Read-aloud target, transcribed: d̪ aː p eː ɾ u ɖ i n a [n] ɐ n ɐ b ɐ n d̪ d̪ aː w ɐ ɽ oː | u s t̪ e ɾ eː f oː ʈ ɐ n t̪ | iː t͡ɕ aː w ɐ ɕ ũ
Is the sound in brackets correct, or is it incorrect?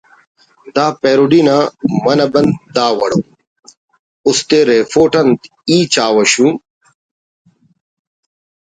incorrect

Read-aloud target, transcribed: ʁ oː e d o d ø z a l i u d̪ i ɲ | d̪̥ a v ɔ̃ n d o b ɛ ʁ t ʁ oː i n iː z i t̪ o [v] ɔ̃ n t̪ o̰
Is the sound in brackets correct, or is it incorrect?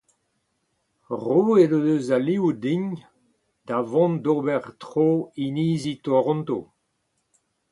incorrect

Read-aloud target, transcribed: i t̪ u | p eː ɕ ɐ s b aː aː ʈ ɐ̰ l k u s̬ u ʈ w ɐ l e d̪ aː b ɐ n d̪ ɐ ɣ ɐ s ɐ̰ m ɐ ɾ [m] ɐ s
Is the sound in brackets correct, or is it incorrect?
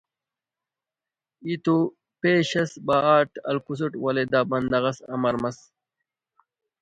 correct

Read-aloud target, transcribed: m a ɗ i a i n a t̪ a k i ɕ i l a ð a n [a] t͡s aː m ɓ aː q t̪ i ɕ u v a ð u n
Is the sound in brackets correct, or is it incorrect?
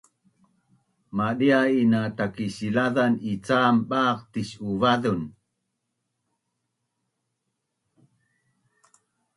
incorrect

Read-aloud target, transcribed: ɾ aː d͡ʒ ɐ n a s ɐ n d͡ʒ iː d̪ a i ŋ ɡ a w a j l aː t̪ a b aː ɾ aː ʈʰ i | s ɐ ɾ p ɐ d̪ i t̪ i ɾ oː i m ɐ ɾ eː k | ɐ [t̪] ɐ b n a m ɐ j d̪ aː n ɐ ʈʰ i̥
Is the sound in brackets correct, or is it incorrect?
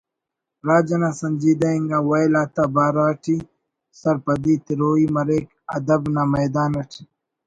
incorrect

